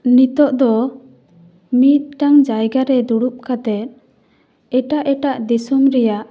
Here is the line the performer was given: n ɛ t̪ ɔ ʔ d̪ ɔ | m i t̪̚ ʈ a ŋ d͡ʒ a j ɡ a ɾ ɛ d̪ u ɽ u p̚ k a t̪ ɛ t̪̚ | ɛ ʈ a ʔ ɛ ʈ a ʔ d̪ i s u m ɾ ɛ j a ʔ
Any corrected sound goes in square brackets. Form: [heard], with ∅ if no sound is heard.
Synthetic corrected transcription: n [i] t̪ ɔ ʔ d̪ ɔ | m i t̪̚ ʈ a ŋ d͡ʒ a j ɡ a ɾ ɛ d̪ u ɽ u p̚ k a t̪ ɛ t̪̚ | ɛ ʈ a ʔ ɛ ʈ a ʔ d̪ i s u m ɾ ɛ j a ʔ